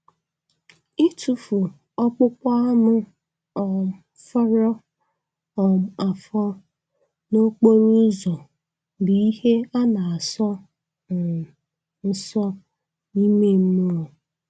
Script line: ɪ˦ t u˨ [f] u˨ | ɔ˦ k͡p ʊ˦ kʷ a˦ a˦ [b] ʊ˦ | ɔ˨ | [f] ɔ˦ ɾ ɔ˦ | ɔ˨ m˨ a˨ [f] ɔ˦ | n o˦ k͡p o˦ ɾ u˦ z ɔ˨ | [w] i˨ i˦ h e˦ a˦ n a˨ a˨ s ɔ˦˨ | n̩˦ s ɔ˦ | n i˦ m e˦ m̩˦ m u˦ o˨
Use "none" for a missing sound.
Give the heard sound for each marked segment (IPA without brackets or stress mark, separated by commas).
f, m, f, f, b